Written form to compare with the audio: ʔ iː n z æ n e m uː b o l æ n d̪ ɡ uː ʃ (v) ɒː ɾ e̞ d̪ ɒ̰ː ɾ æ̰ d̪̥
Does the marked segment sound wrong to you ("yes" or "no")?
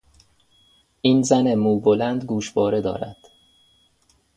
yes